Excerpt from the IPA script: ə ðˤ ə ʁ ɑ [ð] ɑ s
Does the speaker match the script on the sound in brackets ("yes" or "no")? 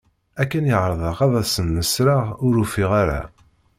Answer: yes